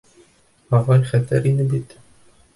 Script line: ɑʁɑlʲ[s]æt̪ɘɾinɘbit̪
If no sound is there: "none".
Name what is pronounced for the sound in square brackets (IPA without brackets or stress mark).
χ